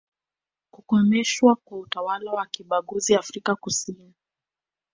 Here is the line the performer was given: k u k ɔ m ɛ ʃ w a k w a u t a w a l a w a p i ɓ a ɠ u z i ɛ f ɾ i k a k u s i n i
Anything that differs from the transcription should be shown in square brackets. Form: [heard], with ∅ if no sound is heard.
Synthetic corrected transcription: k u k ɔ m ɛ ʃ w a k w a u t a w a l a w a [k] i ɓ a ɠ u z i [a] f ɾ i k a k u s i n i